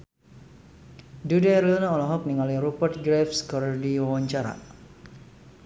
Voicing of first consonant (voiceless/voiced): voiced